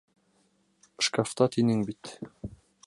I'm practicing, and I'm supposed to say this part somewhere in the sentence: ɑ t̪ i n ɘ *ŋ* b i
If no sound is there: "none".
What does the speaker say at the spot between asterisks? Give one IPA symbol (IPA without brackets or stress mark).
ŋ